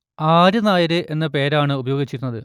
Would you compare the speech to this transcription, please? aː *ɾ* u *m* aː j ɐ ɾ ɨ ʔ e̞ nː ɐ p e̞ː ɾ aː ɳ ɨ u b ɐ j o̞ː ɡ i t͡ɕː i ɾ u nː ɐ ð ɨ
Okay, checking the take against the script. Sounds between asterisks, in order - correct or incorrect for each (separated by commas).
correct, incorrect